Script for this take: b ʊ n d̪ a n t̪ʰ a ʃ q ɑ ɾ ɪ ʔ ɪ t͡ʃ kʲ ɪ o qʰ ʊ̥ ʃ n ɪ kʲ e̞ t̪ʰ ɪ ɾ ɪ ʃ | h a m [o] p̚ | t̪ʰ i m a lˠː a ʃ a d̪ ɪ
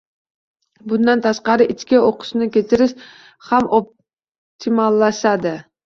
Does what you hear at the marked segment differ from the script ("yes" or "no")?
no